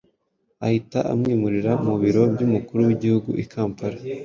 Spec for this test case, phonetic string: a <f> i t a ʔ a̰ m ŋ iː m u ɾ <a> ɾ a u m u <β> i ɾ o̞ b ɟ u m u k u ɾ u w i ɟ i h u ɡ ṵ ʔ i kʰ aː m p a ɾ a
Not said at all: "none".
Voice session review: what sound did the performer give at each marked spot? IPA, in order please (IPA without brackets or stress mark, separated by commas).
h, i, β